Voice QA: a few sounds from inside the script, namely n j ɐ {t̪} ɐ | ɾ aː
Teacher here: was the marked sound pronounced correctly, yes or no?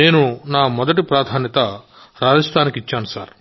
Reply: yes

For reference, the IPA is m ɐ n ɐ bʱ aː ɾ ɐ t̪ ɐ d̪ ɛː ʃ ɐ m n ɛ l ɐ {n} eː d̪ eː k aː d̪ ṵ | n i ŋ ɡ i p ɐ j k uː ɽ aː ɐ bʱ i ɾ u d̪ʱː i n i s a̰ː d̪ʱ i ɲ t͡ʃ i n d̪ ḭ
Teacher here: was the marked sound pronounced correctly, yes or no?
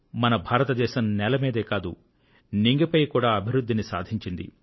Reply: no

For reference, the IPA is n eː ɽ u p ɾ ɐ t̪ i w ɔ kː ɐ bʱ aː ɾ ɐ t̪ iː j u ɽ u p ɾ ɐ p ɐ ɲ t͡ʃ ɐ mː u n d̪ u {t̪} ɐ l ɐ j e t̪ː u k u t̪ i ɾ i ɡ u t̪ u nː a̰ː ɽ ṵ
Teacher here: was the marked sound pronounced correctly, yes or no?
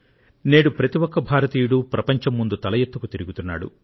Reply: yes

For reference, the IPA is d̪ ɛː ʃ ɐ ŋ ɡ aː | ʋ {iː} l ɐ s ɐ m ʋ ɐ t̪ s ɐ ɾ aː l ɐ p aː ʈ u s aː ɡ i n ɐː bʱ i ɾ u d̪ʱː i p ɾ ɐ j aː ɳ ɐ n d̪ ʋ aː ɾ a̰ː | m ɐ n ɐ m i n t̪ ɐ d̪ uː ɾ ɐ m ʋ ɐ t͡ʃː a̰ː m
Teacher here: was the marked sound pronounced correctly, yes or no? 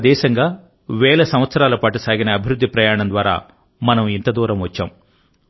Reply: no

